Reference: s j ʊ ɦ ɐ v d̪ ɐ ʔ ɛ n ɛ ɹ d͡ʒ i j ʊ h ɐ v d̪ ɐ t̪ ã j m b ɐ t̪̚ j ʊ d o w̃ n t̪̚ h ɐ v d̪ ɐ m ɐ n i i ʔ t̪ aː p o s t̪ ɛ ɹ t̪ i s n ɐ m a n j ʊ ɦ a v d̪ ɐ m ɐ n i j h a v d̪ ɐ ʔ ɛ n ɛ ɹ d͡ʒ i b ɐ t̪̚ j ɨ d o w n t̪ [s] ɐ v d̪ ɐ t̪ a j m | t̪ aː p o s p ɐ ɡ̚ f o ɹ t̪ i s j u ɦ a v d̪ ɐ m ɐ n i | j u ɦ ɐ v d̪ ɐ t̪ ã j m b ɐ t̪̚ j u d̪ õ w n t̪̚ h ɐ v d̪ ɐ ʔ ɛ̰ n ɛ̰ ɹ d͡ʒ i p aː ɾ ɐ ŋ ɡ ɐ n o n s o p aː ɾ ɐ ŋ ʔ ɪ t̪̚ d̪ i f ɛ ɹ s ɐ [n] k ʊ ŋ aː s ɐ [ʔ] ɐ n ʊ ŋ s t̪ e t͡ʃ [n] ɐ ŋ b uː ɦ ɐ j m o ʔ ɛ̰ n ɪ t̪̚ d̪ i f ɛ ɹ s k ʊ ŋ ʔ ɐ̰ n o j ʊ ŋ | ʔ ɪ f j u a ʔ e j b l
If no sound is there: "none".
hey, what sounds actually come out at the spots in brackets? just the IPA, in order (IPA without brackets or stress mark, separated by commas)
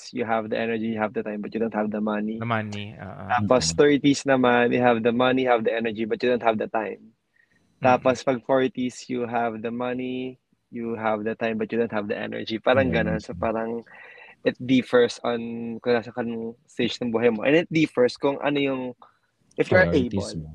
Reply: h, n, k, n